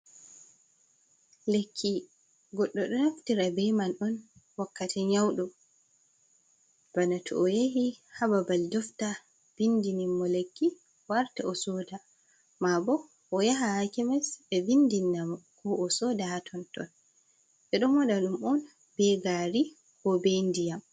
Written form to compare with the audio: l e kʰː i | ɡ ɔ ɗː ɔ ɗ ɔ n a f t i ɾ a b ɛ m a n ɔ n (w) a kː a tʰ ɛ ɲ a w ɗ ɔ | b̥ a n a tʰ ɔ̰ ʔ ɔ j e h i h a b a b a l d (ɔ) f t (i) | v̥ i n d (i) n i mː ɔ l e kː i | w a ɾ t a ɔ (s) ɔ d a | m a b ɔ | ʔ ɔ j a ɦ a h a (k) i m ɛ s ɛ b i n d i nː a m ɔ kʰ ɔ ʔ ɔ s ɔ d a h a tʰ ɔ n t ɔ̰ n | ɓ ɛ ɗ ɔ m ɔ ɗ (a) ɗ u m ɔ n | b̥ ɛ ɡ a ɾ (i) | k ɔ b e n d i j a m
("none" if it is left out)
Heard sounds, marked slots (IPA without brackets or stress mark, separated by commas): w, ɔ, a, i, s, k, a, i